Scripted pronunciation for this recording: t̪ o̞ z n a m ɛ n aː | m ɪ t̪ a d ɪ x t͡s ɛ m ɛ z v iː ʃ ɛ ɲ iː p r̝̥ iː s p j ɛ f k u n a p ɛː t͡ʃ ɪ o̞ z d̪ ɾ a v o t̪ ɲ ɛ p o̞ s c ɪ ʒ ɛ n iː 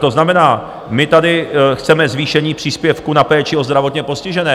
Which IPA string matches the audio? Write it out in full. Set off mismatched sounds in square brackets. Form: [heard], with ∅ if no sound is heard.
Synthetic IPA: t̪ o̞ z n a m ɛ n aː | m ɪ t̪ a d ɪ x t͡s ɛ m ɛ z v iː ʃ ɛ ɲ iː p r̝̥ iː s p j ɛ f k u n a p ɛː t͡ʃ ɪ o̞ z d̪ ɾ a v o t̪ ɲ ɛ p o̞ s c ɪ ʒ ɛ n [ɛː]

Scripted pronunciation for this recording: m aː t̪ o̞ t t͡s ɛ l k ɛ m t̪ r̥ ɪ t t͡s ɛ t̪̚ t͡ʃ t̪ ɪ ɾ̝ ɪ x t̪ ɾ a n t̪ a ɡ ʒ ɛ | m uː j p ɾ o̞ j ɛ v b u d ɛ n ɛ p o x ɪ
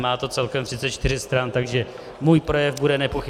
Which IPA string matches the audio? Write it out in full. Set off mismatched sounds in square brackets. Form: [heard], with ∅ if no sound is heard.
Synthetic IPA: m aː t̪ o̞ t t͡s ɛ l k ɛ m t̪ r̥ ɪ t t͡s ɛ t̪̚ t͡ʃ t̪ ɪ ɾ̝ ɪ [s] t̪ ɾ a n t̪ a ɡ ʒ ɛ | m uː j p ɾ o̞ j ɛ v b u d ɛ n ɛ p o x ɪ

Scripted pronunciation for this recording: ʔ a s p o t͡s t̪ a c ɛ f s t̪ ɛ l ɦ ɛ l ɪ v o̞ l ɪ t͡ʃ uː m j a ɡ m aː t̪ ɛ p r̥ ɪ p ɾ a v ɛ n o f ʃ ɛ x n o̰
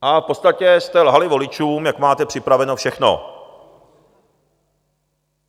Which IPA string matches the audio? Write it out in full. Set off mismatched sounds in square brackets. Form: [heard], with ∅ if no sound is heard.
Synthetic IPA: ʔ a [f] p o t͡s t̪ a c ɛ [∅] s t̪ ɛ l ɦ [a] l ɪ v o̞ l ɪ t͡ʃ uː m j a [k] m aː t̪ ɛ p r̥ ɪ p ɾ a v ɛ n o f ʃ ɛ x n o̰

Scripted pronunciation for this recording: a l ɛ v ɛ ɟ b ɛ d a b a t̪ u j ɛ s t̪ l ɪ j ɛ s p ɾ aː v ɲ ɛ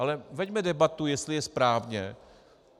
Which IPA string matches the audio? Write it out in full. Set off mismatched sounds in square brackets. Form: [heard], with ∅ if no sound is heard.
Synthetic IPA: a l ɛ v ɛ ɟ [m] ɛ d [ɛ] b a t̪ u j ɛ s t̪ l ɪ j ɛ s p ɾ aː v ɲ ɛ

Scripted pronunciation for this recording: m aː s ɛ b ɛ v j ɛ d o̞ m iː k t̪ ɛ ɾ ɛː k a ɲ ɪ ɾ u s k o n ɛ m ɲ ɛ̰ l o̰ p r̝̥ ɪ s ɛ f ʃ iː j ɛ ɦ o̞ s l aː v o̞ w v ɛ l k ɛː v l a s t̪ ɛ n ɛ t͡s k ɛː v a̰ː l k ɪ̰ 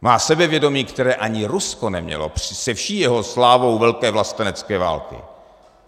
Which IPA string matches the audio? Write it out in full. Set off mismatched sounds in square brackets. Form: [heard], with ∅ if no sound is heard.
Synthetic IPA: m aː s ɛ b ɛ v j ɛ d o̞ m iː k t̪ ɛ ɾ ɛː [ʔ] a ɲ ɪ ɾ u s k o n ɛ m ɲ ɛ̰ l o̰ p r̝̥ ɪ s ɛ f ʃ iː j ɛ ɦ o̞ s l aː v o̞ w v ɛ l k ɛː v l a s t̪ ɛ n ɛ t͡s k ɛː v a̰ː l k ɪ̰

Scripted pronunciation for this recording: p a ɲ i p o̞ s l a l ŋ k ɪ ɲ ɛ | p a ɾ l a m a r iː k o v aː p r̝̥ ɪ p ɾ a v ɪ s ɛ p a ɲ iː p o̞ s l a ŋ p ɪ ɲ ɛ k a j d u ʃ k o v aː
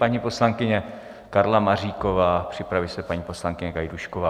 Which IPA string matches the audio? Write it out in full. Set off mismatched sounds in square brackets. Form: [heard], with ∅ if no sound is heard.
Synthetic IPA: p a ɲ i p o̞ s l a [∅] ŋ k ɪ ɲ ɛ | [k] a ɾ l a m a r iː k o v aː p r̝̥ ɪ p ɾ a v ɪ s ɛ p a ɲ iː p o̞ s l a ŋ [k] ɪ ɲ ɛ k a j d u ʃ k o v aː

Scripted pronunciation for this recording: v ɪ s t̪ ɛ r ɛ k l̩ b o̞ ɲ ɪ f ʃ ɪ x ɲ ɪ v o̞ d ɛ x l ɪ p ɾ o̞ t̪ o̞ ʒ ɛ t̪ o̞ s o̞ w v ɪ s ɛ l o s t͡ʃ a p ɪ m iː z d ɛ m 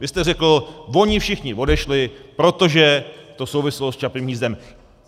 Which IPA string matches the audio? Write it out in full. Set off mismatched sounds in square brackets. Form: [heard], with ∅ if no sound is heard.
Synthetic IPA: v ɪ s t̪ ɛ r ɛ k l̩ [v] o̞ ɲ ɪ f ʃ ɪ x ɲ ɪ v o̞ d ɛ [ʃ] l ɪ p ɾ o̞ t̪ o̞ ʒ ɛ t̪ o̞ s o̞ w v ɪ s ɛ l o s t͡ʃ a p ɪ m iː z d ɛ m

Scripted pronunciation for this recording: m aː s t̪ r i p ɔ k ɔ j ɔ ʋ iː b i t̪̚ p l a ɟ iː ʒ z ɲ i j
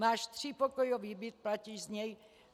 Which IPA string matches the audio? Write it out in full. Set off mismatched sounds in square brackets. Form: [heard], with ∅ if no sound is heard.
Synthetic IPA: m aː [ʃ] t̪ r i p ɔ k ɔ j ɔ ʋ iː b i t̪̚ p l a [c] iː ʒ z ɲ [ɛ] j

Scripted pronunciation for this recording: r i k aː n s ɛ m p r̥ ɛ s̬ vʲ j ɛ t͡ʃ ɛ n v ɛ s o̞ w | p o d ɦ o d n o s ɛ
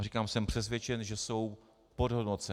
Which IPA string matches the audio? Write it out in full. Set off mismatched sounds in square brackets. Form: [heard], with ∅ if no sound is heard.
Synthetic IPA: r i k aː [m] s ɛ m p r̥ ɛ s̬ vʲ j ɛ t͡ʃ ɛ n [ʒ] ɛ s o̞ w | p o d ɦ o d n o [t͡s] ɛ

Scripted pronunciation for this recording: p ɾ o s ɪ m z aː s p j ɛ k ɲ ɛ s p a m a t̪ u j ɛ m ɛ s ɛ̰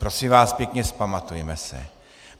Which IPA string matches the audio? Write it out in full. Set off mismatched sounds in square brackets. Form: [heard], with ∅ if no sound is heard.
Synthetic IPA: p ɾ o s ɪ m [v] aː s p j ɛ k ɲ ɛ s p a m a t̪ u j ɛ m ɛ s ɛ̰

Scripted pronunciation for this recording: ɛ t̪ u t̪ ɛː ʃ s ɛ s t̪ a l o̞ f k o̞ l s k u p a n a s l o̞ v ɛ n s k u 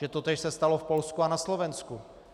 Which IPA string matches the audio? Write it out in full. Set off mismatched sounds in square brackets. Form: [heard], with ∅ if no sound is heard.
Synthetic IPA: ɛ t̪ [o] t̪ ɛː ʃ s ɛ s t̪ a l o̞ f [p] o̞ l s k u [∅] a n a s l o̞ v ɛ n s k u

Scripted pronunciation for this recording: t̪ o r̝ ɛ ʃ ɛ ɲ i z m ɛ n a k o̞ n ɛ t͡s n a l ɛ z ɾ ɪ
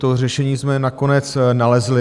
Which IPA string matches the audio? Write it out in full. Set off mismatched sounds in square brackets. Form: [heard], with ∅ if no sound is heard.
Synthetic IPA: t̪ o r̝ ɛ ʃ ɛ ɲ [iː] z m ɛ n a k o̞ n ɛ t͡s n a l ɛ z [l] ɪ

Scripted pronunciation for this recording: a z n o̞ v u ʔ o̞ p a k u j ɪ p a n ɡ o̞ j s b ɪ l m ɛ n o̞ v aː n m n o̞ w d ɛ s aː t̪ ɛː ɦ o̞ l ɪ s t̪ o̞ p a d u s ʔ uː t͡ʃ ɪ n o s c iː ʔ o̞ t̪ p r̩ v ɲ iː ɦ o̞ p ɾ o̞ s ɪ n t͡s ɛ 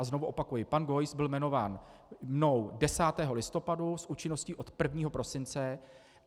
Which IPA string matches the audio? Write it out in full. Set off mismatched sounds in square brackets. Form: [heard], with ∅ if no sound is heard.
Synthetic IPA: a z n o̞ v u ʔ o̞ p a k u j ɪ p a n ɡ o̞ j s b ɪ l m ɛ n o̞ v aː n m n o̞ w d ɛ s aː t̪ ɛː ɦ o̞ l ɪ s t̪ o̞ p a d u s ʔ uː t͡ʃ ɪ n o s c iː ʔ o̞ t̪ p r̩ v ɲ iː ɦ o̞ p ɾ o̞ s ɪ n t͡s ɛ

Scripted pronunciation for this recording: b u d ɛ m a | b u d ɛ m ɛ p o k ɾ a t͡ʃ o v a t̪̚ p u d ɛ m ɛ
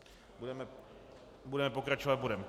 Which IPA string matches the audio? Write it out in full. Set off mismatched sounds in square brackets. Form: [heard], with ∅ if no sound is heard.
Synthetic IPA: b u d ɛ m [ɛ] | b u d ɛ m ɛ p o k ɾ a t͡ʃ o v a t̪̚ [b] u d ɛ m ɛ

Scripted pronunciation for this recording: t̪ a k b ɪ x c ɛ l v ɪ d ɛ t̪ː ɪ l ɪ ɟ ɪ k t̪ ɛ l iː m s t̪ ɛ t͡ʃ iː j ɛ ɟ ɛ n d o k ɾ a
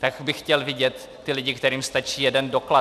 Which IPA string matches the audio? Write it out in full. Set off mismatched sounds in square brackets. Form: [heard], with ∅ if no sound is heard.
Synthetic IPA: t̪ a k b ɪ x c ɛ l v ɪ [ɟ] ɛ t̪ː ɪ l ɪ ɟ ɪ k t̪ ɛ [ɾ] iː m s t̪ [a] t͡ʃ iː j ɛ [d] ɛ n d o k [l] a

